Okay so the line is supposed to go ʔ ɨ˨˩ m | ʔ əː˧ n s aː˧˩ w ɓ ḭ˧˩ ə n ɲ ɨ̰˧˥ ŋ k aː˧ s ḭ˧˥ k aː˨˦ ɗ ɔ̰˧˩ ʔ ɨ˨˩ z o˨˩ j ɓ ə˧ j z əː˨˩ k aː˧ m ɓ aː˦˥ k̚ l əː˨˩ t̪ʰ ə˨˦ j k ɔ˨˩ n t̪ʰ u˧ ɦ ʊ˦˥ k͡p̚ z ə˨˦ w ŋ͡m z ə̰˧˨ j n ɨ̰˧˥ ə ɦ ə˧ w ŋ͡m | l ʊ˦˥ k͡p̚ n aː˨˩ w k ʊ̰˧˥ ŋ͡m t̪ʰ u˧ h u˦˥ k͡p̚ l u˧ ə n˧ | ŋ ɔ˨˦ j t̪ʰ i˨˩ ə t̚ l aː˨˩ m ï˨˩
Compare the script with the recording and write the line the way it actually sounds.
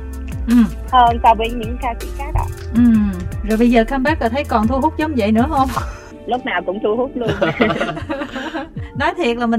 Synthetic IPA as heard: ʔ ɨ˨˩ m | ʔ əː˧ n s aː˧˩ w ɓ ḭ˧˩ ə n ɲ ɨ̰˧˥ ŋ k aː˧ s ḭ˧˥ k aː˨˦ ɗ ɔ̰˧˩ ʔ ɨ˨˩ z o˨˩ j ɓ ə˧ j z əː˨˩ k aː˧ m ɓ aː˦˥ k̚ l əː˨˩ t̪ʰ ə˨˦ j k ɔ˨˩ n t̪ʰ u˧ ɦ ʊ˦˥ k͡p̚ z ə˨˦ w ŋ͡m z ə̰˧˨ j n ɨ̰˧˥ ə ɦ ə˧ w ŋ͡m | l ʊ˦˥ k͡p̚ n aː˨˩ w k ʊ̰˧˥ ŋ͡m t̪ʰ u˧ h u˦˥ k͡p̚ l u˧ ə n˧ | n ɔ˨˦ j t̪ʰ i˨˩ ə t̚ l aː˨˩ m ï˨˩